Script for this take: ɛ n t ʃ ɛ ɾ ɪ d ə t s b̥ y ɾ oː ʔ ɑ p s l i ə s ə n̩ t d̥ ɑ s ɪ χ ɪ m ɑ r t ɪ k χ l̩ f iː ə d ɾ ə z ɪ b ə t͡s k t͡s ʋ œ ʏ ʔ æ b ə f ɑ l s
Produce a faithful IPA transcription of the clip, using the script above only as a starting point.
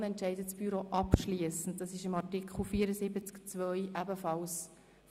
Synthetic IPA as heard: ɛ n t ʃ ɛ ɪ d ə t s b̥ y ɾ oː ʔ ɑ p ʃ l i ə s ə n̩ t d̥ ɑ s ɪ ʃ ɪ m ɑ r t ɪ k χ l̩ f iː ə ɾ ə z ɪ b ə t͡s k t͡s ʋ œ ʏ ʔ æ b ə f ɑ l s

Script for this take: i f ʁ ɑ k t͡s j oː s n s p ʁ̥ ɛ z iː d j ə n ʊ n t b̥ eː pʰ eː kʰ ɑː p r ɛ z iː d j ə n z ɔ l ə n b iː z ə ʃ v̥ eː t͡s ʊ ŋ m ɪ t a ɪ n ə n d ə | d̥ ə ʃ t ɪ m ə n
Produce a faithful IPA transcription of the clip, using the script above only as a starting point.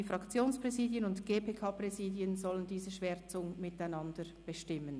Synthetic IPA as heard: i f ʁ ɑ k t͡s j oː n s p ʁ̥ ɛ z iː d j ə n ʊ n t ɡ̥ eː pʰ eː kʰ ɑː p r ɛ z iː d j ə n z ɔ l ə n d iː z ə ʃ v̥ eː t͡s ʊ ŋ m ɪ t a ɪ n ɑ n d ə | b̥ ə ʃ t ɪ m ə n

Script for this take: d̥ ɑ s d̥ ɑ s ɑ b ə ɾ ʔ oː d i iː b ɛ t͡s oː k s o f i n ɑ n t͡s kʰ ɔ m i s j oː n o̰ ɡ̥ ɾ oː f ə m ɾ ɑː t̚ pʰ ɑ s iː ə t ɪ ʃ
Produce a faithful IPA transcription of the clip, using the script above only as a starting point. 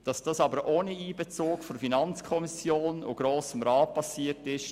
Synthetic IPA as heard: d̥ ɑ s d̥ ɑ s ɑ b ə ɾ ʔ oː n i iː b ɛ t͡s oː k f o f i n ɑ n t͡s kʰ ɔ m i s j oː n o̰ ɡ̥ ɾ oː s ə m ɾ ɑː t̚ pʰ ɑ s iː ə t ɪ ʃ

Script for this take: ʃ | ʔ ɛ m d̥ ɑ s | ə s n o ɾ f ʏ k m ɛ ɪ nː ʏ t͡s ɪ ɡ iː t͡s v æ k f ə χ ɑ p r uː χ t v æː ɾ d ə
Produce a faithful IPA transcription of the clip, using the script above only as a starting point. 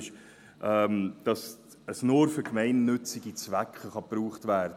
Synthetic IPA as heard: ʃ | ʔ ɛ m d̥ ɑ s | ə s n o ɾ f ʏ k m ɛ ɪ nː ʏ t͡s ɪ ɡ i t͡s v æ k χ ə χ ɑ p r uː χ t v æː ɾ d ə

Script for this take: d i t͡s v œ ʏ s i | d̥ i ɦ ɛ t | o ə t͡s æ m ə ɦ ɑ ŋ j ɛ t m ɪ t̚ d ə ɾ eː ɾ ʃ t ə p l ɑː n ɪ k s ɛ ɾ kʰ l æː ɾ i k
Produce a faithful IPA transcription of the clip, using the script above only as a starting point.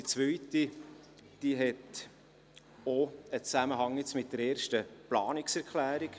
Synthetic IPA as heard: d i t͡s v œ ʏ t i | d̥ i ɦ ɛ t | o ə t͡s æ m ə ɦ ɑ ŋ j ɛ t͡s m ɪ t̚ d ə ɾ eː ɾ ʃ t ə p l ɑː n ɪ k s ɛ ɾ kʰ l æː ɾ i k

